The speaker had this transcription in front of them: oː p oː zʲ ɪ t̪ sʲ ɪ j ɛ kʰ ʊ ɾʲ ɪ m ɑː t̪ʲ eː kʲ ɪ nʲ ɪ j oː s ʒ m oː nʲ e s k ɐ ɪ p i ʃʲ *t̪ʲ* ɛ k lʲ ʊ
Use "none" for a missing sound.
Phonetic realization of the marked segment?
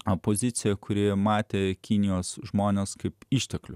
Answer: t̪ʲ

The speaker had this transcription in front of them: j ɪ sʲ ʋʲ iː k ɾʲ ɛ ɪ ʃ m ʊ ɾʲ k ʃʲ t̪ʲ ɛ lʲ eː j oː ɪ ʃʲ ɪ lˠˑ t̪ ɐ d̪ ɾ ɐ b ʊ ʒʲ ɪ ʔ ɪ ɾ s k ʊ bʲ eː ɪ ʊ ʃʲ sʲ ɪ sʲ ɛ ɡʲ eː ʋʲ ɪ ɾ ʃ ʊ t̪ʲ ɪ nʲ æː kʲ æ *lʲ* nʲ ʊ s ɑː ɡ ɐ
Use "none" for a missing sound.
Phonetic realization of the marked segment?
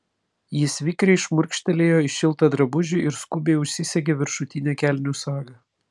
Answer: lʲ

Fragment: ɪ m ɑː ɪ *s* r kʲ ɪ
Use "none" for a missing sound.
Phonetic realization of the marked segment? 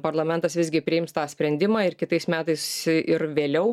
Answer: none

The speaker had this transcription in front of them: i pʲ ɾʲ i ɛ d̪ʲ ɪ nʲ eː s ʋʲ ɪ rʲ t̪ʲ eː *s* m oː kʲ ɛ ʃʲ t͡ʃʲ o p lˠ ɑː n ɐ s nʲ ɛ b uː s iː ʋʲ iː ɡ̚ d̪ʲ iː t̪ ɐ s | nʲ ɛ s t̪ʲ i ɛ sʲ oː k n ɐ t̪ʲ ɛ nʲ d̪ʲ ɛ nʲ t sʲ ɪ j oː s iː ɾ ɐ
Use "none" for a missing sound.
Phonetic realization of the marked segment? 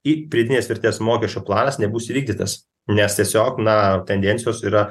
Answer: s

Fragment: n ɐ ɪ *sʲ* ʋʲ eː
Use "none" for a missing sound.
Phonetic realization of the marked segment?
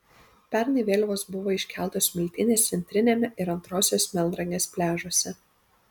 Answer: none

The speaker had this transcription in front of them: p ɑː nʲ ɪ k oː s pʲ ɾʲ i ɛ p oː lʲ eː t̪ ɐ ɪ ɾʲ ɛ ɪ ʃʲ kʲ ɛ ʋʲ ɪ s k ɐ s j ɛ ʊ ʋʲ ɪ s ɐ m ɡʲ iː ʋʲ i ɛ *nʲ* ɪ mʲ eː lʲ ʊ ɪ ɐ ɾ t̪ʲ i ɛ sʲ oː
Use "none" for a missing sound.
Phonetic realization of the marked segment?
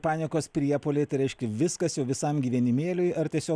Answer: nʲ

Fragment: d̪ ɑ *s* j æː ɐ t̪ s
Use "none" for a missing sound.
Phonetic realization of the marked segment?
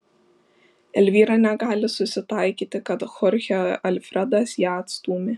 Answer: s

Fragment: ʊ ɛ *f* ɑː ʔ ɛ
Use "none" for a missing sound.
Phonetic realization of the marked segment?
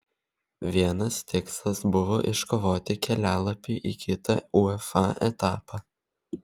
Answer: f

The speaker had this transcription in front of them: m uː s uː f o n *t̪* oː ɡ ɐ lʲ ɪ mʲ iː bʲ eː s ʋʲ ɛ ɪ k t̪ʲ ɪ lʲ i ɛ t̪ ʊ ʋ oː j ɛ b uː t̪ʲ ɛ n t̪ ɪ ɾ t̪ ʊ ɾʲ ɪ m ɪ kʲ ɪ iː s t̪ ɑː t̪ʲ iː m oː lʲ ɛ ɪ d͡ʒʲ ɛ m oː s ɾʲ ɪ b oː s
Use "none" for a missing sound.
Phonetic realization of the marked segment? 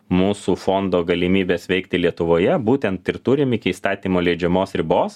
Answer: d̪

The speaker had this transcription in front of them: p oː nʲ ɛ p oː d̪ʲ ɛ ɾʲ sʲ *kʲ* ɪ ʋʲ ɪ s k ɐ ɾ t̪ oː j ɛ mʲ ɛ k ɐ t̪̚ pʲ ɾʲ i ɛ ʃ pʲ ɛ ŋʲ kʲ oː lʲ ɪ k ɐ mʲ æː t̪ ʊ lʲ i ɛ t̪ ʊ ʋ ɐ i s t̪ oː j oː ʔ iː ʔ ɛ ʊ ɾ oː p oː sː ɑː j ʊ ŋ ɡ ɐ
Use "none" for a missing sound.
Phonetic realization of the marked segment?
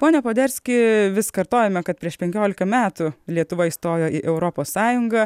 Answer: kʲ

